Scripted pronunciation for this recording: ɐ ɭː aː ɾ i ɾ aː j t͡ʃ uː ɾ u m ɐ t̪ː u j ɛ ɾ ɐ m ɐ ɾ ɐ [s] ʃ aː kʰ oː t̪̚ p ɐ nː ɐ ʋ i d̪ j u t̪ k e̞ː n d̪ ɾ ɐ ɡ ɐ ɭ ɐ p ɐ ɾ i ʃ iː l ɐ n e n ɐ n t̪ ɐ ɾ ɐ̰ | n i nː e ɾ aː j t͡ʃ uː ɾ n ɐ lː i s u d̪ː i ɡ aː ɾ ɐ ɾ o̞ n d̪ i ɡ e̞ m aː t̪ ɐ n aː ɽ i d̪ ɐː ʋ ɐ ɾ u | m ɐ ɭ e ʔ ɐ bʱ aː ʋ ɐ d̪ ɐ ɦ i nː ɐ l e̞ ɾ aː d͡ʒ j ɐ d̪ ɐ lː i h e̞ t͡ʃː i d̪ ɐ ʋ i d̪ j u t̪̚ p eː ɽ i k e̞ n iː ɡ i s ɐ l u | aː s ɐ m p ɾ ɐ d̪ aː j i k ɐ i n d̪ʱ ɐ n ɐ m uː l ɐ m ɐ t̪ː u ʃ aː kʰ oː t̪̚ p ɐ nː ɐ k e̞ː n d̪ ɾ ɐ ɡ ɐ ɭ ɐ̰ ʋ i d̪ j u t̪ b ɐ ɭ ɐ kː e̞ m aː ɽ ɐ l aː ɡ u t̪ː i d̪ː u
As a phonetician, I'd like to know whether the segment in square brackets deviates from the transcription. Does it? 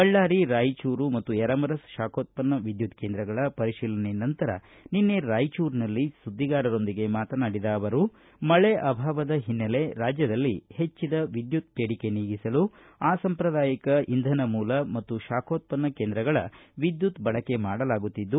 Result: no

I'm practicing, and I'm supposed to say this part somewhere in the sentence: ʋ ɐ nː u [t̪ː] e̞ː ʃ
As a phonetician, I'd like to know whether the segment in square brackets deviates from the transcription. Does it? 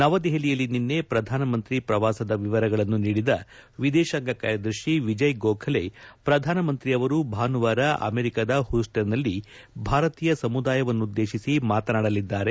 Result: yes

